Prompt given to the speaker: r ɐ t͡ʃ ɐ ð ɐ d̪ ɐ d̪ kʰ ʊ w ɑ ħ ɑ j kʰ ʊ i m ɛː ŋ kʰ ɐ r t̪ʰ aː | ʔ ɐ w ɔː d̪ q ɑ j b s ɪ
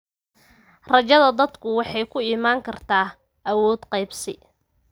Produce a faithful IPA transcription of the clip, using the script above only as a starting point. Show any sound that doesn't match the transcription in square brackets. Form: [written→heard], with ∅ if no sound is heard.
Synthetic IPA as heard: r ɐ t͡ʃ ɐ ð ɐ d̪ ɐ d̪ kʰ ʊ w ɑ ħ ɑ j kʰ ʊ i m [ɛː→aː] ŋ kʰ ɐ r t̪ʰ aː | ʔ ɐ w ɔː d̪ q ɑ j b s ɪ